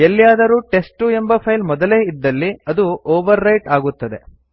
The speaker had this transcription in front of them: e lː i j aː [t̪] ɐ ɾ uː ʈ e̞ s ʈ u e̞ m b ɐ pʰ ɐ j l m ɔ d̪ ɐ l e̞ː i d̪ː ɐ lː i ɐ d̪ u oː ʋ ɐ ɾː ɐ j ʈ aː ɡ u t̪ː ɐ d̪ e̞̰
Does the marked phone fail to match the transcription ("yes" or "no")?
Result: yes